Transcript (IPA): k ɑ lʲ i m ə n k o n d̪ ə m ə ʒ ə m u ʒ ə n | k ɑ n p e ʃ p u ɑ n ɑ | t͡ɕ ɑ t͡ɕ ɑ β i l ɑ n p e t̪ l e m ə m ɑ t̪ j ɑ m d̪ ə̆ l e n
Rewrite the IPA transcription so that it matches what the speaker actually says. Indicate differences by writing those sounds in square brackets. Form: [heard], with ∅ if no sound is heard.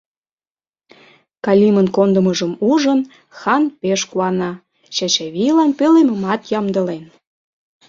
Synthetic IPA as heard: k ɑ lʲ i m ə n k o n d̪ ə m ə ʒ ə m u ʒ ə n | [x] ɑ n p e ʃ [k] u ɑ n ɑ | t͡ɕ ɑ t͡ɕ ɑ β i l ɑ n p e [∅] l e m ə m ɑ t̪ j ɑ m d̪ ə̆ l e n